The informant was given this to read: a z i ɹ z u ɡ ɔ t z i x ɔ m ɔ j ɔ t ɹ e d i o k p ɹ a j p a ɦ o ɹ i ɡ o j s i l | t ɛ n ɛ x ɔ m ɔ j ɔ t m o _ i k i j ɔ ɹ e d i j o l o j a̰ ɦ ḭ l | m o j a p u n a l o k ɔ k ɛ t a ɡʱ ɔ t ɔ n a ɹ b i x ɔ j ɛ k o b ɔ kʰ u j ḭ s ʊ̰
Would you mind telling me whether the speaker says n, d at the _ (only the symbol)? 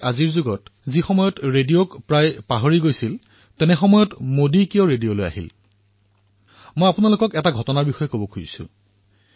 d